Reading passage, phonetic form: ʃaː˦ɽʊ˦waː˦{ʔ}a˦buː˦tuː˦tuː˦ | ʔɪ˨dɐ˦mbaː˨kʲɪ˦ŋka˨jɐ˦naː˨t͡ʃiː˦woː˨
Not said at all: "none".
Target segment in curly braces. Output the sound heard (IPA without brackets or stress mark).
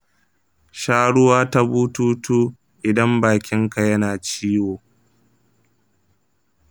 t